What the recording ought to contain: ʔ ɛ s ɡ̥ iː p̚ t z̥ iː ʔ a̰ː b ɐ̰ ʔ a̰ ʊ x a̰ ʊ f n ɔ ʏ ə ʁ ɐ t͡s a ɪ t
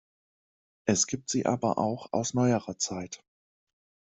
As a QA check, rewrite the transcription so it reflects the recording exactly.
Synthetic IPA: ʔ ɛ s ɡ̥ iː p̚ t z̥ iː ʔ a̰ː b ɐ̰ ʔ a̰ ʊ x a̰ ʊ s n ɔ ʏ ə ʁ ɐ t͡s a ɪ t